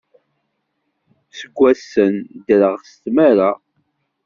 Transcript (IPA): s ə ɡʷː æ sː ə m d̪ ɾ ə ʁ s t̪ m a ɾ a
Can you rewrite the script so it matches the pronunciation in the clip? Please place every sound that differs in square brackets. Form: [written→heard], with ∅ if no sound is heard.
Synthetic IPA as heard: s ə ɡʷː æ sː ə [m→n] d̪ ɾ ə ʁ s t̪ m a ɾ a